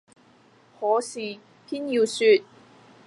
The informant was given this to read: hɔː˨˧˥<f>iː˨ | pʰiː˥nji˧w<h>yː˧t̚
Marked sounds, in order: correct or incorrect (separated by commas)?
incorrect, incorrect